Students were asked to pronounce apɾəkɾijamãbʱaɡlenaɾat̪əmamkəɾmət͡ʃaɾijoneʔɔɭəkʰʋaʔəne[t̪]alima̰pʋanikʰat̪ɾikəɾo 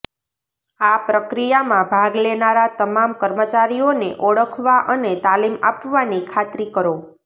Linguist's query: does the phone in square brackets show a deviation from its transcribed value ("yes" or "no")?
no